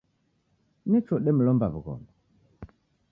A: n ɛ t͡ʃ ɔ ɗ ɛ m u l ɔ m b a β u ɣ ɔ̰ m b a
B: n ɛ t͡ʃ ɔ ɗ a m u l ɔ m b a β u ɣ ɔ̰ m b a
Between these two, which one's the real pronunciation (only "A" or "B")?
A